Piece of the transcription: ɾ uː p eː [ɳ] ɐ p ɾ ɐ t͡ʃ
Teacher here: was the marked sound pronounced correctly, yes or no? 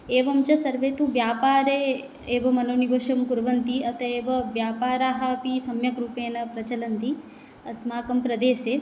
no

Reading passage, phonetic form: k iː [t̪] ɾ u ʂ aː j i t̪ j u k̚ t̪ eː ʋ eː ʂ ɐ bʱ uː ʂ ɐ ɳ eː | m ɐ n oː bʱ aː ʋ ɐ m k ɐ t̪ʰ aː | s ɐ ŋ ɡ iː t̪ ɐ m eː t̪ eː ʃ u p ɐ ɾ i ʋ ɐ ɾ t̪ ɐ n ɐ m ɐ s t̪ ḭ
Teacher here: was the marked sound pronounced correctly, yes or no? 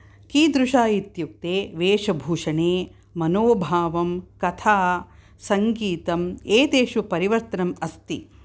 no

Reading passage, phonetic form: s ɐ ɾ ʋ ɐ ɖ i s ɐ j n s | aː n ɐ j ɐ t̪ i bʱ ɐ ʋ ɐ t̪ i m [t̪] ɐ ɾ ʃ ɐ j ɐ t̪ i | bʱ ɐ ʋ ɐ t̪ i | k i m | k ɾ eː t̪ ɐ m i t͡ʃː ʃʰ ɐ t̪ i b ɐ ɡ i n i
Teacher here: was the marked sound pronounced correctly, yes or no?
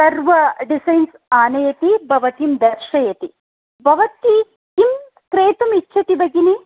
no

